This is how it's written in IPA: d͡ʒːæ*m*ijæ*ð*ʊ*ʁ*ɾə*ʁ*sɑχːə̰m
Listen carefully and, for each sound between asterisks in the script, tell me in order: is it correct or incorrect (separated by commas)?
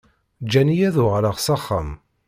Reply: incorrect, correct, correct, correct